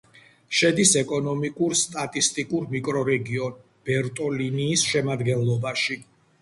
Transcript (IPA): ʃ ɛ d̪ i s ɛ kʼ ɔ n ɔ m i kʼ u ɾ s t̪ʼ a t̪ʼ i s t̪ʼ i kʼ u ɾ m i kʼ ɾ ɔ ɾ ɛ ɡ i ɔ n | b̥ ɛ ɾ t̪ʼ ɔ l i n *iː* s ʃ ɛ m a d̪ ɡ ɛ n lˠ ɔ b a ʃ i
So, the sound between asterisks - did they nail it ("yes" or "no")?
yes